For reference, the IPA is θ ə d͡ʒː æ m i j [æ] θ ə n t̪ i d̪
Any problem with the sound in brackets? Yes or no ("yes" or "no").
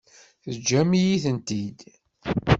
yes